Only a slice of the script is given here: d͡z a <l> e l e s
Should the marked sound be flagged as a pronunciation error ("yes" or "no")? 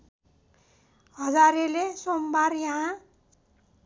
yes